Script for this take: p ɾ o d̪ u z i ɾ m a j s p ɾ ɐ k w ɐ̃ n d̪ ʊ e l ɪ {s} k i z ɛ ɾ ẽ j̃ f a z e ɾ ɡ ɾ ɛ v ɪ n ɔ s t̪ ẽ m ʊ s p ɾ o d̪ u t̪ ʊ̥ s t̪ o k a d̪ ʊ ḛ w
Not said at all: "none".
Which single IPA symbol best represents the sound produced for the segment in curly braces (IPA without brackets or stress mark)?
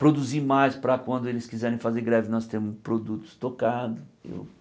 s